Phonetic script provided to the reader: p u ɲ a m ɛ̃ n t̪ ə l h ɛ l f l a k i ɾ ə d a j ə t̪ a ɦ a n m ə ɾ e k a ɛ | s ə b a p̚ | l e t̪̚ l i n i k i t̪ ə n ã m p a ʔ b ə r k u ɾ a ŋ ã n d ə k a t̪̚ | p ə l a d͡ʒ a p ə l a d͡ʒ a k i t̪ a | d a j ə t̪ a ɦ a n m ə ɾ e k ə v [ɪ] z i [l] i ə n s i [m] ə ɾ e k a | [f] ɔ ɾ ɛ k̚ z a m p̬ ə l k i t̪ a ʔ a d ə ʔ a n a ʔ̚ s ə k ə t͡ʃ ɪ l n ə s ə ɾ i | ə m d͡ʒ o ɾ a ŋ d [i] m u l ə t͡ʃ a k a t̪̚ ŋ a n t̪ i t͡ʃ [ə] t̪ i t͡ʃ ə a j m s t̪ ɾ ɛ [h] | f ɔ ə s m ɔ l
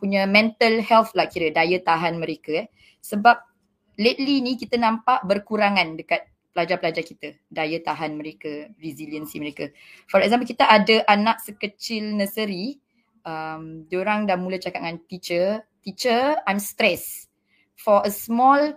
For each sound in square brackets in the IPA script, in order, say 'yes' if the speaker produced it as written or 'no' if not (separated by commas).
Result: no, yes, yes, yes, no, yes, no